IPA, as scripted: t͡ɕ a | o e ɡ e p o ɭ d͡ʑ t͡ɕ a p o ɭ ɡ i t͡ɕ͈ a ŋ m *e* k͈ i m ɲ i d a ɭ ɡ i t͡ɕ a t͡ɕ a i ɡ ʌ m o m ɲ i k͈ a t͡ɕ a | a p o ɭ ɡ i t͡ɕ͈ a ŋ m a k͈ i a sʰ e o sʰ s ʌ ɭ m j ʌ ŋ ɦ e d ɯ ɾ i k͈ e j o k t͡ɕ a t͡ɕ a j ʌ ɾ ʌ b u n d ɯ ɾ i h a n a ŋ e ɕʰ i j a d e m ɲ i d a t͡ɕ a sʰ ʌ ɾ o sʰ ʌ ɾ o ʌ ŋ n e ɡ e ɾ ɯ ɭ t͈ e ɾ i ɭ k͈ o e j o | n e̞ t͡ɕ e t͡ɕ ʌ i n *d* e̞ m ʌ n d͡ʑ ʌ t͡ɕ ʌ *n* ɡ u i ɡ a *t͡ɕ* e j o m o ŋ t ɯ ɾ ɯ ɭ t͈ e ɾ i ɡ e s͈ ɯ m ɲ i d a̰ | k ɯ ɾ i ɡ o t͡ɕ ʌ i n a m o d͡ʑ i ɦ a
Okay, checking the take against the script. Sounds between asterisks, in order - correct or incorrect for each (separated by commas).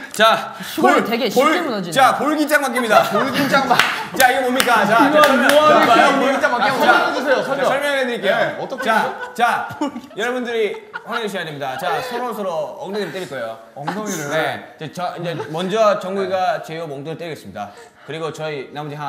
incorrect, incorrect, incorrect, correct